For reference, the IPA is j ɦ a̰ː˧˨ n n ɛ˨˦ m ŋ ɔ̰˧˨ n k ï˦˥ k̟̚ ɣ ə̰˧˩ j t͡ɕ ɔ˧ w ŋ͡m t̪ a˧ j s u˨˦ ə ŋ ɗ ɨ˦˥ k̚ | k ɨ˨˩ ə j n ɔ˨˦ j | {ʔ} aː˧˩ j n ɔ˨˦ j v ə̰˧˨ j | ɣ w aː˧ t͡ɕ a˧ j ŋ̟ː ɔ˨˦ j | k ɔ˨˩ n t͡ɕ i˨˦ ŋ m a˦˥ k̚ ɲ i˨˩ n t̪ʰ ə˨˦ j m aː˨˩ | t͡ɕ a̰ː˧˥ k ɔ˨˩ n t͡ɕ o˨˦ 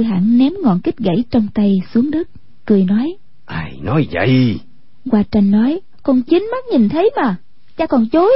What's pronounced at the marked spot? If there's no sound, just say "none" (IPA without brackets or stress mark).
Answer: ʔ